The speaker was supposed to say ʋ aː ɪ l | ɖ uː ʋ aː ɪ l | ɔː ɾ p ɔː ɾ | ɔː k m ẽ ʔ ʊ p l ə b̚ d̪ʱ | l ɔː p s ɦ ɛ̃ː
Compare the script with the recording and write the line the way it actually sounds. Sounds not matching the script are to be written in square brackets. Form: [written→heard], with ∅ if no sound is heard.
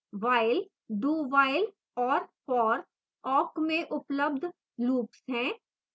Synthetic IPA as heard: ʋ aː ɪ l | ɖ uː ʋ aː ɪ l | ɔː ɾ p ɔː ɾ | ɔː k m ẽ ʔ ʊ p l ə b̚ d̪ʱ | l [ɔː→uː] p s ɦ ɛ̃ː